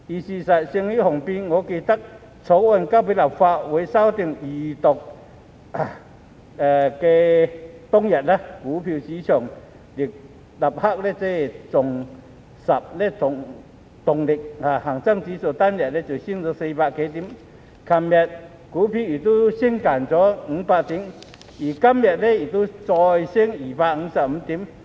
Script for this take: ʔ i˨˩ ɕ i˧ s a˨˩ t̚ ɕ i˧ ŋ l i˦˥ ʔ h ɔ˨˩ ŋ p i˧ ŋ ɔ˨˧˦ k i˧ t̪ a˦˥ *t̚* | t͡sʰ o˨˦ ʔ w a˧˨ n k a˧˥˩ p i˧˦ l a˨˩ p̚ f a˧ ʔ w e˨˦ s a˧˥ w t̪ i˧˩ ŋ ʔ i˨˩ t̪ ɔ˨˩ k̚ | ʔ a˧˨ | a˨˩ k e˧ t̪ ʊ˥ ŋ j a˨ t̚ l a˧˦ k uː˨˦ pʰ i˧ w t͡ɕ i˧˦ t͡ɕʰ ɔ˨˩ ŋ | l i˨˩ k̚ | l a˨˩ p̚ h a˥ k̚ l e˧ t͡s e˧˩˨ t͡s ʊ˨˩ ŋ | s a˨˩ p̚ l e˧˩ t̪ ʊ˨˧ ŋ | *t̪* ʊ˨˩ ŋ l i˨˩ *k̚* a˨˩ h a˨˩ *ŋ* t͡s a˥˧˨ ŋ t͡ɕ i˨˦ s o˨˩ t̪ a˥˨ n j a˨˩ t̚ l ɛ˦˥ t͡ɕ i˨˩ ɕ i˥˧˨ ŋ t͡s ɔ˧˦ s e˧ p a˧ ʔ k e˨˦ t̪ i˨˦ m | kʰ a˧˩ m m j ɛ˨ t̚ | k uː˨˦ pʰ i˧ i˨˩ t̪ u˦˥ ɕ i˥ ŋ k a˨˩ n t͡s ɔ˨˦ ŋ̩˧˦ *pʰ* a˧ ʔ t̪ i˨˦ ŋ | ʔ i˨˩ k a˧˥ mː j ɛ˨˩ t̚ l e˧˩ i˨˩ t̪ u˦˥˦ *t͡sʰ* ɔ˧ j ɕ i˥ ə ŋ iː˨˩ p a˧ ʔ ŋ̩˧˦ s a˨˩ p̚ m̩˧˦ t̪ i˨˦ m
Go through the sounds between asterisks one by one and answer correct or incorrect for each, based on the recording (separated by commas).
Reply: incorrect, correct, correct, correct, incorrect, incorrect